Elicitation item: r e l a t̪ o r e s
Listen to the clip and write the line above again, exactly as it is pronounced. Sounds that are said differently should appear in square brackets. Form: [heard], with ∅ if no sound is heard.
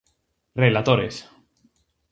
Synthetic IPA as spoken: r e l a t̪ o [ɾ] e s